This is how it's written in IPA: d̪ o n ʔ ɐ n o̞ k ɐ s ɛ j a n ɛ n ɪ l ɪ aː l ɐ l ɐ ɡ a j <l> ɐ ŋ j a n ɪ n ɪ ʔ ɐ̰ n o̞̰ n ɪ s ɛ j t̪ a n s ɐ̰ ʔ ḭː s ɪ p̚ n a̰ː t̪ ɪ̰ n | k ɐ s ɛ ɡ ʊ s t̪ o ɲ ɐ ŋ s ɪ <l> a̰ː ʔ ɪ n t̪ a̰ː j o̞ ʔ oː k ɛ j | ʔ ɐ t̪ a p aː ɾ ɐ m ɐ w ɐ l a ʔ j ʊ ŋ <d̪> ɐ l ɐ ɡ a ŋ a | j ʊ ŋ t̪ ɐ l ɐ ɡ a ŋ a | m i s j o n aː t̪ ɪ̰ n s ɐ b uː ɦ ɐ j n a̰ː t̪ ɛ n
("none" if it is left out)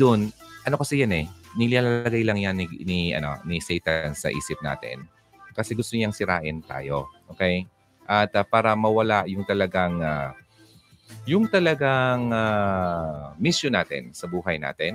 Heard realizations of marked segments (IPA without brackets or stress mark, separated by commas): l, ɾ, t̪